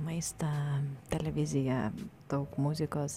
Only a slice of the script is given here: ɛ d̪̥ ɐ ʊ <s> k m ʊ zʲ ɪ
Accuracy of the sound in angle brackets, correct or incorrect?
incorrect